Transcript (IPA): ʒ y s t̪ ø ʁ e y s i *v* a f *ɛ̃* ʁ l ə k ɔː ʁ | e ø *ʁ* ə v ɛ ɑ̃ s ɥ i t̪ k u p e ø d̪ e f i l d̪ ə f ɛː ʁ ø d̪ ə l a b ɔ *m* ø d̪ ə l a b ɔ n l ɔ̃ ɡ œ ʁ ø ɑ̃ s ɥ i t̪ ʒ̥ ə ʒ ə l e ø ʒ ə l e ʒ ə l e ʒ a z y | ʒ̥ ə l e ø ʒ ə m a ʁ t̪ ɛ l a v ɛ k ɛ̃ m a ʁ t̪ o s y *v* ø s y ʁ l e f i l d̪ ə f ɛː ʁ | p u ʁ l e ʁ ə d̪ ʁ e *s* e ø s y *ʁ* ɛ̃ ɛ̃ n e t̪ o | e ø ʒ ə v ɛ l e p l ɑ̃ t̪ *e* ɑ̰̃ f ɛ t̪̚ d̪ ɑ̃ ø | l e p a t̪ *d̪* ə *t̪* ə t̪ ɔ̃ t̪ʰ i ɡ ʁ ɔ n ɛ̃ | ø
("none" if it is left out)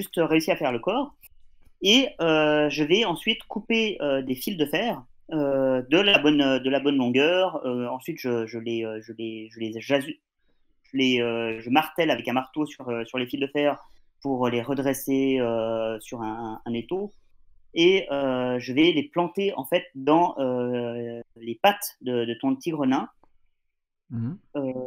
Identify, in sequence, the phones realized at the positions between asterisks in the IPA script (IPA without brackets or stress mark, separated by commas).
ʁ, ɛ, ʒ, n, ʁ, s, ʁ, e, d̪, d̪